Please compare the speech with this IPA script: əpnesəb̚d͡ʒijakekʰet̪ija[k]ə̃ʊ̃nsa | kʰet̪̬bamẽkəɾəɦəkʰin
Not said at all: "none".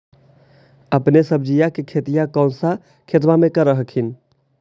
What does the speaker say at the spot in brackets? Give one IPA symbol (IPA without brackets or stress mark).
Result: k